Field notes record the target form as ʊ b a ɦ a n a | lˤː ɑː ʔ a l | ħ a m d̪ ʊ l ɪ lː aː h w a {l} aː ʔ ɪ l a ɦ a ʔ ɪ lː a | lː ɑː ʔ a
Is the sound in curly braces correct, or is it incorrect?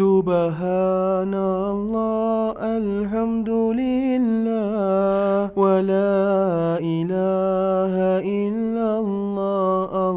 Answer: correct